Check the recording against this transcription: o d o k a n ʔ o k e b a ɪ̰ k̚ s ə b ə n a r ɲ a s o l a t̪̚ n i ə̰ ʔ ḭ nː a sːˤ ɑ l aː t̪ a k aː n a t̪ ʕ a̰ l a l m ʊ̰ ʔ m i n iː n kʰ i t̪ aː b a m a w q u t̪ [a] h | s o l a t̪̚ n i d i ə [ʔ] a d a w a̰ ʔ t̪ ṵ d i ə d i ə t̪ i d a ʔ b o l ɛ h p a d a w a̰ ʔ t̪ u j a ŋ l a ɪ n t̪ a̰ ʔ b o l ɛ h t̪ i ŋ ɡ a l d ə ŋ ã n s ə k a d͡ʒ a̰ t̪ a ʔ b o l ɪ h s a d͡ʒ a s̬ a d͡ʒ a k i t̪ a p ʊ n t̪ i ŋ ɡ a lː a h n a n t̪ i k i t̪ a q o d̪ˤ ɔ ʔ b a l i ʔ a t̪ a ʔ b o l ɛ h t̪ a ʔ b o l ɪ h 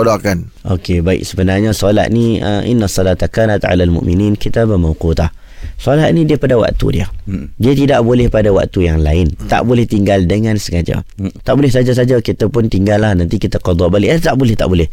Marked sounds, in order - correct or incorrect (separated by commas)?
correct, incorrect